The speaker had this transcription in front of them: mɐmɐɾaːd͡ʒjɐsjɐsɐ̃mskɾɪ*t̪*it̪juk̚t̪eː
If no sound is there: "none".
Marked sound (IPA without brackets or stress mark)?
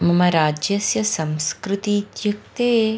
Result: t̪